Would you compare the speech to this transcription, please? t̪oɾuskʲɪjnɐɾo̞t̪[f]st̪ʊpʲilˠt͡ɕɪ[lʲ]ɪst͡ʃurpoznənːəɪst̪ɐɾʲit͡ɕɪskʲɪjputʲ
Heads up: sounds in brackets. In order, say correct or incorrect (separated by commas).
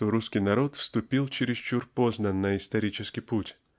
correct, incorrect